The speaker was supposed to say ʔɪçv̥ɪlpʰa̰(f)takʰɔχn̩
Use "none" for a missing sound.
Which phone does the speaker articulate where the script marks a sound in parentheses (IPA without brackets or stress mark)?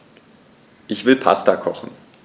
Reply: s